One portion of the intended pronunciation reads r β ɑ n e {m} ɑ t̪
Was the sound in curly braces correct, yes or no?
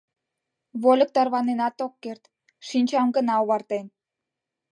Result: no